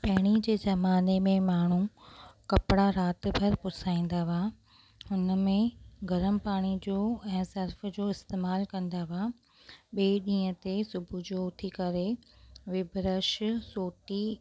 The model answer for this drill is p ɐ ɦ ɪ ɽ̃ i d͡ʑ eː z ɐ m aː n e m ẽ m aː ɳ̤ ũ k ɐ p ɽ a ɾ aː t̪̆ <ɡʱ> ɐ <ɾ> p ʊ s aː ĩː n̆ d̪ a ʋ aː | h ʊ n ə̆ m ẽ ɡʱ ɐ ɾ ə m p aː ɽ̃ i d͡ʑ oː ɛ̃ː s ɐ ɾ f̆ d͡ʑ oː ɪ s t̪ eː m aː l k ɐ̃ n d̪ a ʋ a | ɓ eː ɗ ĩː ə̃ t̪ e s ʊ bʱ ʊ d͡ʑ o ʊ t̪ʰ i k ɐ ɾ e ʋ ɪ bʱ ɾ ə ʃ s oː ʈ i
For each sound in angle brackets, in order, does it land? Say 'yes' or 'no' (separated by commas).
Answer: no, yes